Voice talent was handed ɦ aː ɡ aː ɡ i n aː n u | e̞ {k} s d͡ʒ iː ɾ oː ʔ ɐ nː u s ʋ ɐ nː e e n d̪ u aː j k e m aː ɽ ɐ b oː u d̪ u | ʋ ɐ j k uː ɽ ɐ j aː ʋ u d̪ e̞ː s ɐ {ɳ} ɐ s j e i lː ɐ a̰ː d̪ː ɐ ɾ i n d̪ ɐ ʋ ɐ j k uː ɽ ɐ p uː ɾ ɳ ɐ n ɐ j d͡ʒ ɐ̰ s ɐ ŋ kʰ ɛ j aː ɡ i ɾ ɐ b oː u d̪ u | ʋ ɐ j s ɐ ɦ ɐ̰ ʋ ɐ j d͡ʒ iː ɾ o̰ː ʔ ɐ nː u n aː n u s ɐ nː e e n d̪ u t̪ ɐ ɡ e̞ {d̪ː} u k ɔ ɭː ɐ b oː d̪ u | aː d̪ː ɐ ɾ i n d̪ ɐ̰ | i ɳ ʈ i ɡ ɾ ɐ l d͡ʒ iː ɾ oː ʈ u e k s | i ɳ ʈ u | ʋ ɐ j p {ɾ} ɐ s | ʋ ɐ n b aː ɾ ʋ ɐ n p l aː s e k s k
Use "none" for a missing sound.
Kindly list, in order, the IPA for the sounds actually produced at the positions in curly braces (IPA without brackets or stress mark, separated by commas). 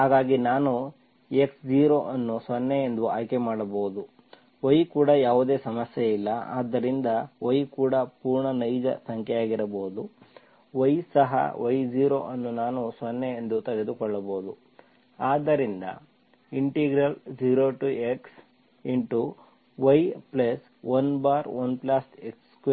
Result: k, m, d̪, l